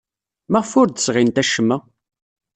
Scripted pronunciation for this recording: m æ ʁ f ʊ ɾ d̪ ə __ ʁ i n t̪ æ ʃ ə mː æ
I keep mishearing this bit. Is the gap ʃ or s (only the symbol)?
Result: s